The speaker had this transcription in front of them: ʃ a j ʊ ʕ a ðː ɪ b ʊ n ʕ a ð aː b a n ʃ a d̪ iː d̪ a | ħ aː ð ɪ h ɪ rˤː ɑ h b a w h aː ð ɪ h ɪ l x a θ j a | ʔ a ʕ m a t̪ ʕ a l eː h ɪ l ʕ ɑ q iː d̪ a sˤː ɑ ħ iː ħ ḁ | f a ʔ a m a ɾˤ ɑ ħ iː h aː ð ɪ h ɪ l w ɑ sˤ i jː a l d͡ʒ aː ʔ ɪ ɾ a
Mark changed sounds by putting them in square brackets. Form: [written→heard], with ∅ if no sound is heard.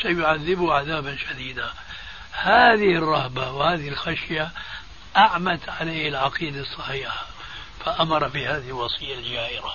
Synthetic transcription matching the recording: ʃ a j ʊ ʕ a ðː ɪ b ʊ [n→∅] ʕ a ð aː b a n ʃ a d̪ iː d̪ a | [ħ→h] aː ð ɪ h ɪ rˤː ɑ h b a w h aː ð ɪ h ɪ l x a [θ→ʃ] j a | ʔ a ʕ m a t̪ ʕ a l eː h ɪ l ʕ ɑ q iː d̪ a sˤː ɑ ħ iː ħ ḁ | f a ʔ a m [a→ɑ] ɾˤ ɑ [ħ→f] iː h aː ð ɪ h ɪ l w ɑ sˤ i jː a l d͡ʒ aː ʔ ɪ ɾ a